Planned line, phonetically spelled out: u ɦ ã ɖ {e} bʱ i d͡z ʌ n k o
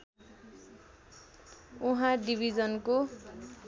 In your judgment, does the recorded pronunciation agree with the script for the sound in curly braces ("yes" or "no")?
no